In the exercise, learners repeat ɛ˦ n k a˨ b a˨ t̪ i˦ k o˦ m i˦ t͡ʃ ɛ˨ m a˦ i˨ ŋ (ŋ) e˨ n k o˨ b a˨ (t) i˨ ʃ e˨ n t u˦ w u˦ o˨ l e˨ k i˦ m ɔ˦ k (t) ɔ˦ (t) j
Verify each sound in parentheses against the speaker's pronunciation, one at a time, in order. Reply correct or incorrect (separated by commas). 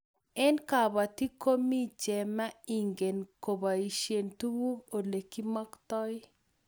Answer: incorrect, incorrect, correct, incorrect